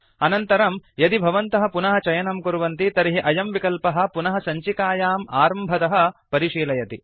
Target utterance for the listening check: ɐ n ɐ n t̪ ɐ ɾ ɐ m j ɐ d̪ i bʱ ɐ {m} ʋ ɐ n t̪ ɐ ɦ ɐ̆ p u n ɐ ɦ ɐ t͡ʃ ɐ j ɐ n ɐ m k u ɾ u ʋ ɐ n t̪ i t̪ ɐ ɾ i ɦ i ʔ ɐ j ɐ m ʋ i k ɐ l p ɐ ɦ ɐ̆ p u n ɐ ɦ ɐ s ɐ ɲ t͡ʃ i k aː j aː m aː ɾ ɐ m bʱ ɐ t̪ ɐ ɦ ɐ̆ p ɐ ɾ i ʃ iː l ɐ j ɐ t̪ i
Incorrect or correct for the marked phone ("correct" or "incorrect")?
incorrect